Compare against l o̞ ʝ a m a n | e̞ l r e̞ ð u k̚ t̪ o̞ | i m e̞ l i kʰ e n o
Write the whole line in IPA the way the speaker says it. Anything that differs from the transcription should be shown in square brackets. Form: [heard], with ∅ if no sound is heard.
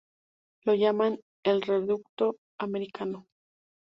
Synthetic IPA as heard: l o̞ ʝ a m a n | e̞ l r e̞ ð u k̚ t̪ o̞ | [a] m e̞ [ɾ] i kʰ [a] n o